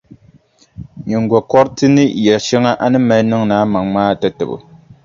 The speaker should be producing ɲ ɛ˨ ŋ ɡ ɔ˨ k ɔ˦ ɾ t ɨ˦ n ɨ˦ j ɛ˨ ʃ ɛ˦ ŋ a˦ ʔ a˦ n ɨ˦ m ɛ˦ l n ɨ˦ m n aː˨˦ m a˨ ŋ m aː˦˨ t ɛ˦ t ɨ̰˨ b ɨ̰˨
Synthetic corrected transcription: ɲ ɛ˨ ŋ ɡ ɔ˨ k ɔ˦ ɾ t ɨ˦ n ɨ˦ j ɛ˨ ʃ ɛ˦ ŋ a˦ ʔ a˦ n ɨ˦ m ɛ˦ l n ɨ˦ ŋ n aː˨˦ m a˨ ŋ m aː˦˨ t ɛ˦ t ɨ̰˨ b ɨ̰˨